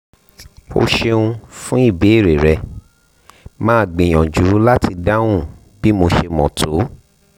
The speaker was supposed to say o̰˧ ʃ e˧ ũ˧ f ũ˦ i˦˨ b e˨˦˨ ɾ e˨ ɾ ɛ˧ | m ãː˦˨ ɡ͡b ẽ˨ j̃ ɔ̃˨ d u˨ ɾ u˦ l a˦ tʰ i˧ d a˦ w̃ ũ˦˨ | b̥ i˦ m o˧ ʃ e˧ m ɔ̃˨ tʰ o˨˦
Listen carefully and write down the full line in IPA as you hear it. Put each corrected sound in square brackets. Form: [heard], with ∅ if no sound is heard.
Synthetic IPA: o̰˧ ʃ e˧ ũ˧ f ũ˦ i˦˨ b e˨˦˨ ɾ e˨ ɾ ɛ˧ | m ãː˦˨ ɡ͡b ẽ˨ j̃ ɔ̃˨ [d͡ʒ] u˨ ɾ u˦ l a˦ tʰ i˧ d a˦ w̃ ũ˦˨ | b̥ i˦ m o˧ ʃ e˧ m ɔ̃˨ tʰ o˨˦